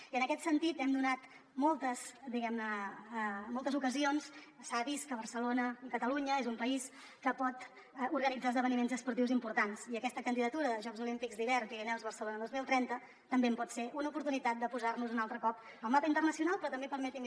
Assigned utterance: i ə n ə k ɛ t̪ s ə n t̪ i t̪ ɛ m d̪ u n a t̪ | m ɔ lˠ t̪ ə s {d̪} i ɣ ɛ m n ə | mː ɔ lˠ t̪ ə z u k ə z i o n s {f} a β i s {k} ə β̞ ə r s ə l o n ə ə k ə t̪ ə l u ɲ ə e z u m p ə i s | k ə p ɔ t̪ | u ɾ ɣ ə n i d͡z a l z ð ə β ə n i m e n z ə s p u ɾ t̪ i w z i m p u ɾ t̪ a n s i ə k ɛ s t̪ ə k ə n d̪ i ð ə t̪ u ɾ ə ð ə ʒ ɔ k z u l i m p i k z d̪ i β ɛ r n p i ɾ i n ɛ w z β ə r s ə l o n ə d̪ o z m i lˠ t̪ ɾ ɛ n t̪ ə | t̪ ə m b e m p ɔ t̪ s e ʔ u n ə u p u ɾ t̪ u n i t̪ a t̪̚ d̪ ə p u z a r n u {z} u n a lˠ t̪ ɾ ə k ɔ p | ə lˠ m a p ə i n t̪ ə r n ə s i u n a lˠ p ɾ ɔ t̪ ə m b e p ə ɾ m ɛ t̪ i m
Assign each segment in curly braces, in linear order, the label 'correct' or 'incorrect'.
correct, incorrect: s, correct, correct

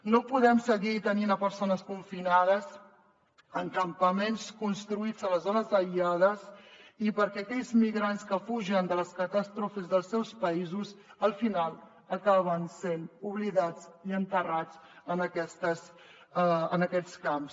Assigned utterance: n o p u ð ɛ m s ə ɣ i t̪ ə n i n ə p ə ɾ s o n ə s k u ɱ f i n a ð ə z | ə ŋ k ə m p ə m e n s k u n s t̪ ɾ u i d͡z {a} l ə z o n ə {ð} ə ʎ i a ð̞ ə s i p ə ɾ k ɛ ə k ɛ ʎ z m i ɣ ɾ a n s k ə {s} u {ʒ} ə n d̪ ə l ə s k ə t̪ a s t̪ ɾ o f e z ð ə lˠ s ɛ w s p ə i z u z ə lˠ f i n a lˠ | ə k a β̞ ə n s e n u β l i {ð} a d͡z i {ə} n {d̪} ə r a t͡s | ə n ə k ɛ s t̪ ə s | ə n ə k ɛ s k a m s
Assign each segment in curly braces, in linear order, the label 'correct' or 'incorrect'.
incorrect: ə, incorrect: z, incorrect: f, correct, correct, correct, incorrect: t̪

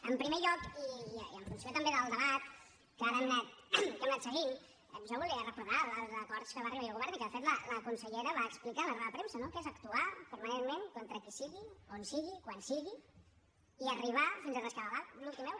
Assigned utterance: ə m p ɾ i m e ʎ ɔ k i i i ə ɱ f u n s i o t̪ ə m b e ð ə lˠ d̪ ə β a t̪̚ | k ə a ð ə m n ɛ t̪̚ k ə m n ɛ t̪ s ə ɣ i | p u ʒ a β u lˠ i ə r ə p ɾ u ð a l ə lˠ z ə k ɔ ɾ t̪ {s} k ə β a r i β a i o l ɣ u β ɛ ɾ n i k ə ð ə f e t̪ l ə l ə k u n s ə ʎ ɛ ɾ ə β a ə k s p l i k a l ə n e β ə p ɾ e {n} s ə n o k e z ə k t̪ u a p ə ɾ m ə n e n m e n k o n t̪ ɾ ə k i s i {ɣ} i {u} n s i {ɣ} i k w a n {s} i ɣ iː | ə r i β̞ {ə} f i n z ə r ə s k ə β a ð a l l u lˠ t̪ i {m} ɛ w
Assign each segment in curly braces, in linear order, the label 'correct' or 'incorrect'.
correct, incorrect: m, correct, incorrect: o, correct, correct, incorrect: a, correct

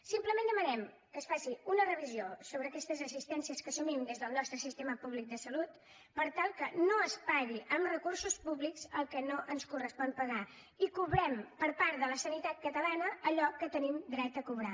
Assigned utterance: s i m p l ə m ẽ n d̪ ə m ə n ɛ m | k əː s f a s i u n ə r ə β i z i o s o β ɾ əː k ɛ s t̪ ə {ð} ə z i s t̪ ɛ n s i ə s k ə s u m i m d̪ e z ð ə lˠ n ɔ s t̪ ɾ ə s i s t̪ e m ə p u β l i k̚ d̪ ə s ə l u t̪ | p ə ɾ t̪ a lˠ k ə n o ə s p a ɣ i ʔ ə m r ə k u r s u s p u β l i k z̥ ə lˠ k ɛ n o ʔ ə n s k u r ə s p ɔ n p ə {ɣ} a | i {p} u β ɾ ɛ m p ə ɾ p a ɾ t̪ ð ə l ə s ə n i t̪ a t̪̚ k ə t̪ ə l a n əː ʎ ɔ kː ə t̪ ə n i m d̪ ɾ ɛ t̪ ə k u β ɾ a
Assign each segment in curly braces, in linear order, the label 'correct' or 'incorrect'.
incorrect: z, correct, incorrect: k

